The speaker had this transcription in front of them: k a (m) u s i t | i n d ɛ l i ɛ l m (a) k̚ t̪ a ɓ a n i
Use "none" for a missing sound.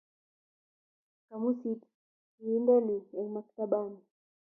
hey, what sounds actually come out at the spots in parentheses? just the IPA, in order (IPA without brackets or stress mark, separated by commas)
m, a